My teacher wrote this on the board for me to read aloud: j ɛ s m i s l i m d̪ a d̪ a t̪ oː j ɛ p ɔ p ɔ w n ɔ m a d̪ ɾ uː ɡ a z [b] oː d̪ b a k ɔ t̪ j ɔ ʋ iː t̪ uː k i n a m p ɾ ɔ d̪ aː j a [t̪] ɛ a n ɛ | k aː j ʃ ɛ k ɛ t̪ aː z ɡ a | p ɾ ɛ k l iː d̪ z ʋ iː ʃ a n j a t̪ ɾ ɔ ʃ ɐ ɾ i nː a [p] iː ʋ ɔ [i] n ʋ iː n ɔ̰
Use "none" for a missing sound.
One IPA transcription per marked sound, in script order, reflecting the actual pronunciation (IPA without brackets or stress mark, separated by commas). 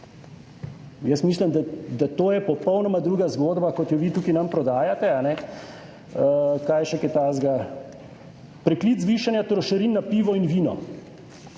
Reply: ɡ, t̪, p, i